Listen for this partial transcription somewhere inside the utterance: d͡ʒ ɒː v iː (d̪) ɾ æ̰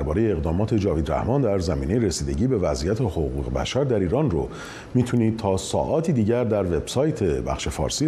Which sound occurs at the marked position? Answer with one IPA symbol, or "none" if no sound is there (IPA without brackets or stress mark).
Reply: d̪